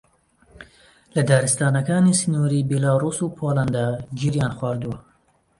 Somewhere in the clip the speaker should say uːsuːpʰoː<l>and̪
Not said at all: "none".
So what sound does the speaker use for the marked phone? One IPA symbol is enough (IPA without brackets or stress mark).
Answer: l